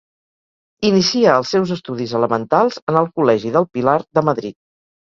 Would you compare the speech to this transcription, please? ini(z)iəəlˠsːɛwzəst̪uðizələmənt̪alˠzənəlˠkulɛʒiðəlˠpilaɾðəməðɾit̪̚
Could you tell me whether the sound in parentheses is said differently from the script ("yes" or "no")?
yes